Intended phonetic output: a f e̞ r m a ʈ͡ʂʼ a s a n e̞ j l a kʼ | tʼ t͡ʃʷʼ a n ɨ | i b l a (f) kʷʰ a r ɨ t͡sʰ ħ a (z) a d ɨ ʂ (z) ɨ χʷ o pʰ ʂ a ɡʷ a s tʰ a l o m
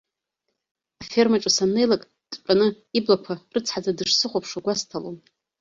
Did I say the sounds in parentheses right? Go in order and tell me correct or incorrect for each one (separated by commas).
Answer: incorrect, incorrect, incorrect